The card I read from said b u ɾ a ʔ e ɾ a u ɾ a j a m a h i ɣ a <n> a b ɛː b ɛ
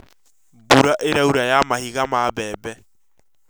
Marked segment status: incorrect: m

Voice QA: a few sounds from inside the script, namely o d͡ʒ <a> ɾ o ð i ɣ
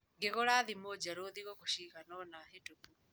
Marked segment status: correct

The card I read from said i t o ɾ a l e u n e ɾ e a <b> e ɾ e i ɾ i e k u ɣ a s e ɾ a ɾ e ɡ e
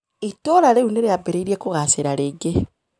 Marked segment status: correct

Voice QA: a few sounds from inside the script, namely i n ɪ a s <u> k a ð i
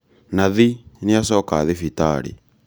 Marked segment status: incorrect: ɔ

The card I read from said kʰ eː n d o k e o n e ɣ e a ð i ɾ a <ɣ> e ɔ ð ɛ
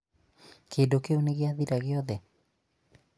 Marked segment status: correct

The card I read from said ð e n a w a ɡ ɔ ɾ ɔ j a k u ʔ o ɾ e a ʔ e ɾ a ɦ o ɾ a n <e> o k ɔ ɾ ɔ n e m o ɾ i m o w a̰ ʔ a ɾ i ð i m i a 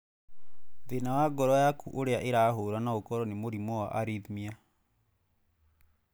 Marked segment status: incorrect: a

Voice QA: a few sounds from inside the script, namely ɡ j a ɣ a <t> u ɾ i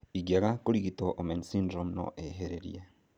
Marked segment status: incorrect: k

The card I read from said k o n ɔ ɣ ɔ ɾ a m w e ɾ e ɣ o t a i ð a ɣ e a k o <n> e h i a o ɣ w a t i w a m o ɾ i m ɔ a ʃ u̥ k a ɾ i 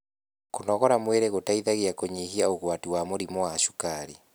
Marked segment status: incorrect: ɲ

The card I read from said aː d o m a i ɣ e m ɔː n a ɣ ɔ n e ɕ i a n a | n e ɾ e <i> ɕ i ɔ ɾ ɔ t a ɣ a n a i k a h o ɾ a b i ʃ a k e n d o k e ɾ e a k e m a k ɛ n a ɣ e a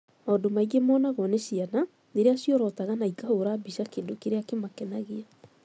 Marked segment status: incorrect: a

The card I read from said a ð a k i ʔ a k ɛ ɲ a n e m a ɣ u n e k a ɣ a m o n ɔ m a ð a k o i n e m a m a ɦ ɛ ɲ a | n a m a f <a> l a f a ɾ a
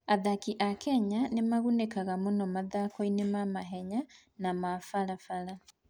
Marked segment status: correct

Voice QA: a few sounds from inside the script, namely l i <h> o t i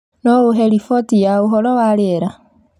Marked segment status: incorrect: f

